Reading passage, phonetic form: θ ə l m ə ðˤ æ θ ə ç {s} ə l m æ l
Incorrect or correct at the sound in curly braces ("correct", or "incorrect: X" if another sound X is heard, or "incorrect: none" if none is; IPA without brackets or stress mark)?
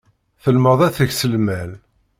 correct